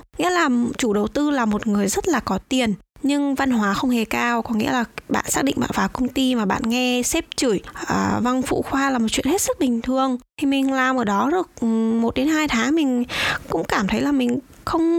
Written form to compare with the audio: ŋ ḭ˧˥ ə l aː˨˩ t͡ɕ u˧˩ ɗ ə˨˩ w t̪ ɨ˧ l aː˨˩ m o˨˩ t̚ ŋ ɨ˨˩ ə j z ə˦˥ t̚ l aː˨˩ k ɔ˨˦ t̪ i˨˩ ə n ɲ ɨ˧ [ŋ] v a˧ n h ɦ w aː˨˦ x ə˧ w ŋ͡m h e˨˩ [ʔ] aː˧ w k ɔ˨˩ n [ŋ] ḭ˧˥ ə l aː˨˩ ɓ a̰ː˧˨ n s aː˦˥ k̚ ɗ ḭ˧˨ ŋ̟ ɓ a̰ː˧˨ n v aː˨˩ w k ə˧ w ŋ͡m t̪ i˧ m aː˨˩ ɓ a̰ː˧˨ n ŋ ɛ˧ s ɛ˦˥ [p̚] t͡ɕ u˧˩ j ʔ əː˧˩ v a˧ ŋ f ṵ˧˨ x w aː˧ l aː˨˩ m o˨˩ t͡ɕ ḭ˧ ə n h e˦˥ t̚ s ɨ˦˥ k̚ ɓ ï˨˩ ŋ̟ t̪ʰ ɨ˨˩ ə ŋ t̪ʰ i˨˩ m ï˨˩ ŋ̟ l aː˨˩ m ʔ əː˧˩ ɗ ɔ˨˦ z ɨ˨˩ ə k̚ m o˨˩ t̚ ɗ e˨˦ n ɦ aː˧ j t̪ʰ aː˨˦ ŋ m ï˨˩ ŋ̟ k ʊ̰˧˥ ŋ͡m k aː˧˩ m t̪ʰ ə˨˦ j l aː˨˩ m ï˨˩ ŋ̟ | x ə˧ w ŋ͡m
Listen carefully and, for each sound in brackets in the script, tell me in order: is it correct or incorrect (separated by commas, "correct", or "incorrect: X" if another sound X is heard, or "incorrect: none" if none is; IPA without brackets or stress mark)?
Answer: correct, incorrect: k, correct, correct